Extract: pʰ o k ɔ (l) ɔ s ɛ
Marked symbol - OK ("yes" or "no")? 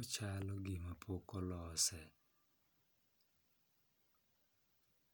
yes